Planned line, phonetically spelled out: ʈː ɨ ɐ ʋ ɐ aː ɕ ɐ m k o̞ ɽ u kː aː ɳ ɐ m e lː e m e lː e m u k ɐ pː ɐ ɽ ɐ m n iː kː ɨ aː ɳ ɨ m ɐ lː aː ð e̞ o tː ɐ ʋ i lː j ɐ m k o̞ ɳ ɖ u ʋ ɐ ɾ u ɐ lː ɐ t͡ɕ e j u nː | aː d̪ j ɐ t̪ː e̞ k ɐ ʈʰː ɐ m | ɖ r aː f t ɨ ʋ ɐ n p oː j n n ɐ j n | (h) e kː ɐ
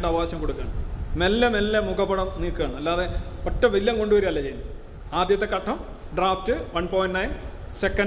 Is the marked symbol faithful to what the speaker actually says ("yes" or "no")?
no